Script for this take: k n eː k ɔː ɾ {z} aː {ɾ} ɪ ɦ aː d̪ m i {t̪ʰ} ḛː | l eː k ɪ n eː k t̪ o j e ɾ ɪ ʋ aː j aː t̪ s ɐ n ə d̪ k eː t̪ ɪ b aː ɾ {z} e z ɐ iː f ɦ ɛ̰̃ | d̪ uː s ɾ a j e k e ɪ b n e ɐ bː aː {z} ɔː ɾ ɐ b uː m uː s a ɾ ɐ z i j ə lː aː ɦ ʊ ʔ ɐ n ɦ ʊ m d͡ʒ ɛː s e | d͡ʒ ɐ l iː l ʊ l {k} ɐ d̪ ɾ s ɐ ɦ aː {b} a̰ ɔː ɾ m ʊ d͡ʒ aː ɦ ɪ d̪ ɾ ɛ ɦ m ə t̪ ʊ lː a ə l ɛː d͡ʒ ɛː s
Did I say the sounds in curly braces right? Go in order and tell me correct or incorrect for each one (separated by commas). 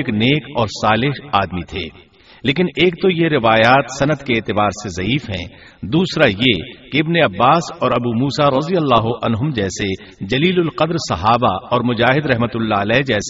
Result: incorrect, incorrect, correct, incorrect, incorrect, incorrect, correct